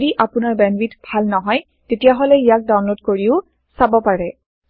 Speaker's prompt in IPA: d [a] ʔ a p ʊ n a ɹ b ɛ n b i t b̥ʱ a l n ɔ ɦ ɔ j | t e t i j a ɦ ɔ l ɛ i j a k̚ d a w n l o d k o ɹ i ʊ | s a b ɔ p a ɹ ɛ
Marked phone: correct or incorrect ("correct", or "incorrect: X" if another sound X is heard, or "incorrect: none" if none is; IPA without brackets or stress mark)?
incorrect: i